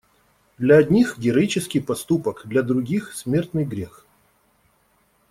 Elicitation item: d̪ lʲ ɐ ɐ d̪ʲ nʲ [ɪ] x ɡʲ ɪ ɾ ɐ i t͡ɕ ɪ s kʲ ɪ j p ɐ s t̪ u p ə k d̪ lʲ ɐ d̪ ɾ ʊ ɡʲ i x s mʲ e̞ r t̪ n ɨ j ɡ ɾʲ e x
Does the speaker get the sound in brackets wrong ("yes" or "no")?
yes